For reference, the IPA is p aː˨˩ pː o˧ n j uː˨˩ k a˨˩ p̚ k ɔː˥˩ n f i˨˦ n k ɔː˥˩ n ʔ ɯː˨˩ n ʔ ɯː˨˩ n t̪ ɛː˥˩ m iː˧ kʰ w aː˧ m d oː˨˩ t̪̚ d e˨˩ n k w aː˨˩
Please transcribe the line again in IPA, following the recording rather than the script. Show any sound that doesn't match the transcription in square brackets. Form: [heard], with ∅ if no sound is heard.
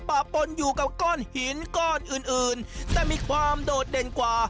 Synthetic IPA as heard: p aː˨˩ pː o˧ n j uː˨˩ k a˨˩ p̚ k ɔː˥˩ n [h] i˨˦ n k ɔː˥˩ n ʔ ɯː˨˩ n ʔ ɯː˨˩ n t̪ [ɛː˨˩] m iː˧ kʰ w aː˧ m d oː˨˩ t̪̚ d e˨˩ n k w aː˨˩